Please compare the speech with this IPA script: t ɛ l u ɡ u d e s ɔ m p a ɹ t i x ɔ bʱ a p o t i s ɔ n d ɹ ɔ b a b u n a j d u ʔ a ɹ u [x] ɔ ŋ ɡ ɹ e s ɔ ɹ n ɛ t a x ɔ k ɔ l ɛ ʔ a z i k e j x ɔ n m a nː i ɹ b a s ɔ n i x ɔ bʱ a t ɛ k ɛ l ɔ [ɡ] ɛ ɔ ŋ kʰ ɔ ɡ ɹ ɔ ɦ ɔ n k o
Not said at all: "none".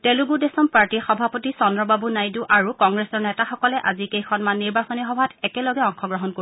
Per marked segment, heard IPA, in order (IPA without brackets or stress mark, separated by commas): k, ɡ